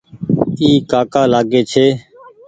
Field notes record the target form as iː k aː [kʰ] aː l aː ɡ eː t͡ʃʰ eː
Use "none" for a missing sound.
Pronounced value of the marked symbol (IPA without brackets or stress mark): k